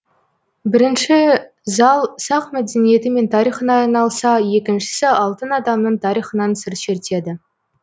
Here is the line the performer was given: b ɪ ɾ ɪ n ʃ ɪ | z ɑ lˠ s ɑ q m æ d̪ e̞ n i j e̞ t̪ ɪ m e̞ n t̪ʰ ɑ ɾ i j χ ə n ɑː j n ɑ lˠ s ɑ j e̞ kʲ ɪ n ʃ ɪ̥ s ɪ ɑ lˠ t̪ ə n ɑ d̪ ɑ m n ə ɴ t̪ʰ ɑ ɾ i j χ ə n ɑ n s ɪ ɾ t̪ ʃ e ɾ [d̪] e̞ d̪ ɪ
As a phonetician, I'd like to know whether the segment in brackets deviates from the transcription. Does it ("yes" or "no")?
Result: yes